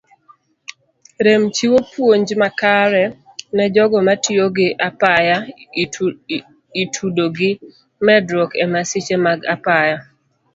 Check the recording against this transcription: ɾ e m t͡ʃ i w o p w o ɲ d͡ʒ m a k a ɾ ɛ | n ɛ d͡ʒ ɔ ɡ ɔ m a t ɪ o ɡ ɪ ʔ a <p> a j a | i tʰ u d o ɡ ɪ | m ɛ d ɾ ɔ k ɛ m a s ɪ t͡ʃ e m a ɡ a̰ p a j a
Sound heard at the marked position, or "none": p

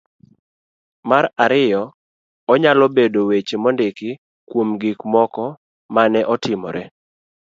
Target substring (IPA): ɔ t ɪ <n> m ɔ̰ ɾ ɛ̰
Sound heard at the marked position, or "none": none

